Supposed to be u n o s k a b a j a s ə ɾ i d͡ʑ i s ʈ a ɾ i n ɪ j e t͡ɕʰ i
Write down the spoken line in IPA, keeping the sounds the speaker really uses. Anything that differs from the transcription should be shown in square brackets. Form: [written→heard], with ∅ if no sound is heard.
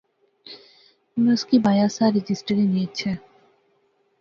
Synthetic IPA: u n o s k [a→i] b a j a s [ə→a] ɾ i d͡ʑ i s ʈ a ɾ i n [ɪ→i] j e t͡ɕʰ [i→e]